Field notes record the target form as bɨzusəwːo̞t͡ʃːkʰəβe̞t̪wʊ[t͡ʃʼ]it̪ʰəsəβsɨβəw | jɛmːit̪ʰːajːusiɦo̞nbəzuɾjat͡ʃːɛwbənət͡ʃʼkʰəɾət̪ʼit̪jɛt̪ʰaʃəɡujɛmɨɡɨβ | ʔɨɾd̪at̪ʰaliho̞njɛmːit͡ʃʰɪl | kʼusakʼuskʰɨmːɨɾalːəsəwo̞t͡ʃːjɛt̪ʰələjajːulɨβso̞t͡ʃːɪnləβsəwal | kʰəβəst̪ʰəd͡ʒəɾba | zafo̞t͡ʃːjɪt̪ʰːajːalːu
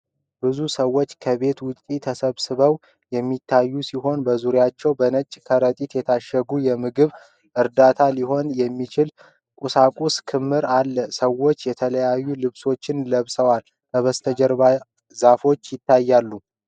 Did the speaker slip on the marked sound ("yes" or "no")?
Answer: no